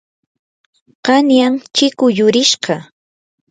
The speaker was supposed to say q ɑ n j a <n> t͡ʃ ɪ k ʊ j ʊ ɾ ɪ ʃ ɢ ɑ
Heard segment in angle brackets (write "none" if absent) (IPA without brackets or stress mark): ŋ